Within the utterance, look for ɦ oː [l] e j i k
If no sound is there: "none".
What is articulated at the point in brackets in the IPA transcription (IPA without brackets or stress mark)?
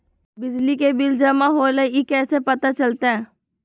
l